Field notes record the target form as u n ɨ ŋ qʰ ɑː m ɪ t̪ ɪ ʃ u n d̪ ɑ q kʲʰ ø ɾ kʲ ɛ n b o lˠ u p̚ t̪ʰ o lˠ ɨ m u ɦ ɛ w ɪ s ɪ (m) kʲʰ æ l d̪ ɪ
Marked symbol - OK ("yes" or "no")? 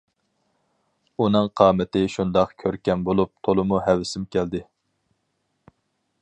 yes